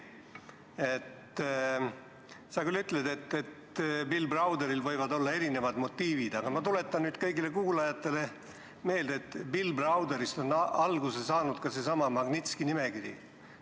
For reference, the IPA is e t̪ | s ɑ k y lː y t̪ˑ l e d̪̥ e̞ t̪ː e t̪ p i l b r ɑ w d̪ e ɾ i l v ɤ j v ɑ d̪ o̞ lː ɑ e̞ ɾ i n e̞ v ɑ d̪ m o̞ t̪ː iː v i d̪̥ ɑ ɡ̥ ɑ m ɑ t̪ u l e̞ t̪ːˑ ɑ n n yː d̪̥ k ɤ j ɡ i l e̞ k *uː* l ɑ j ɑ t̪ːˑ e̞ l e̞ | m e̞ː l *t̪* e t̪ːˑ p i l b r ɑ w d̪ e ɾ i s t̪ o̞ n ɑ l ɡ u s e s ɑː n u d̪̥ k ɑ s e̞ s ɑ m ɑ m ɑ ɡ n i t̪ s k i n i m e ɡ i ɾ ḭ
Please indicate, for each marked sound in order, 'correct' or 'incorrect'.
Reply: correct, incorrect: d̪

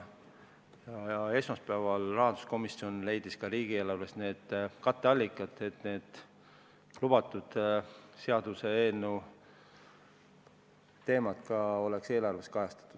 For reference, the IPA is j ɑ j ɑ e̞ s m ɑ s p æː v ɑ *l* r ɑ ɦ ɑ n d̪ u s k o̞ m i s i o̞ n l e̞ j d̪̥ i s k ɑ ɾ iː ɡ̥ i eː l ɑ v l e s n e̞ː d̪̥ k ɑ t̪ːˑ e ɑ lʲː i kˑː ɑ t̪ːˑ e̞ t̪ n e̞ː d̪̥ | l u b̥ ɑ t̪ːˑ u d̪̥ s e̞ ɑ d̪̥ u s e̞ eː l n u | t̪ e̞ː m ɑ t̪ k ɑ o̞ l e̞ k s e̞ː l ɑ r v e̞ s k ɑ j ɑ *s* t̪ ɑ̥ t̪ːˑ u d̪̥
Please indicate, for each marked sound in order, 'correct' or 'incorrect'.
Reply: correct, correct

